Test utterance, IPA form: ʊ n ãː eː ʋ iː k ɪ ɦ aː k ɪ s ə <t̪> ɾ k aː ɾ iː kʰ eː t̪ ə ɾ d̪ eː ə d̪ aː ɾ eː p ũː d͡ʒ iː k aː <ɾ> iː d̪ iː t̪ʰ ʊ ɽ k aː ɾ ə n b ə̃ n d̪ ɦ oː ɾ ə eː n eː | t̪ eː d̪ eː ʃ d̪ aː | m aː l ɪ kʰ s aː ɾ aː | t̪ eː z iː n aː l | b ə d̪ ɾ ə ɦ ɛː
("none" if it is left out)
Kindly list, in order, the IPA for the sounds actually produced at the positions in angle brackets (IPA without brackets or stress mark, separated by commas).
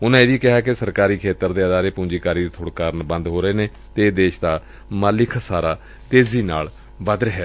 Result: none, ɾ